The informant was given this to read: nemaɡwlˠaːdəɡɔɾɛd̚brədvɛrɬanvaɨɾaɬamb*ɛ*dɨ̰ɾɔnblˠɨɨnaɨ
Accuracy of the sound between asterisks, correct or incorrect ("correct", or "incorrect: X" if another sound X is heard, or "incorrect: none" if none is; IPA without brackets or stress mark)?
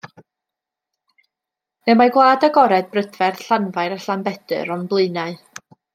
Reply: correct